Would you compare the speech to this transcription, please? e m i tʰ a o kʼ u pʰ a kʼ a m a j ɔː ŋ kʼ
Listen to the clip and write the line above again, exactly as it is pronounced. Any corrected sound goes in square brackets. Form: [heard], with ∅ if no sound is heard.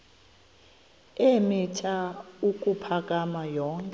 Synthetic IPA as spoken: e m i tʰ a [u] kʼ u pʰ a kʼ a m a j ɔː ŋ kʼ